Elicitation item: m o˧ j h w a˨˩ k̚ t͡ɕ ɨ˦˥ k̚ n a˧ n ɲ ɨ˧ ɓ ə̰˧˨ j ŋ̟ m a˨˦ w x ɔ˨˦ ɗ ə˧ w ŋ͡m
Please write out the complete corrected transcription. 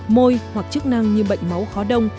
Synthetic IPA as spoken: m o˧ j h w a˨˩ k̚ t͡ɕ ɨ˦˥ k̚ n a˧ ŋ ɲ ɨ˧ ɓ ə̰˧˨ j ŋ̟ m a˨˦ w x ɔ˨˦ ɗ ə˧ w ŋ͡m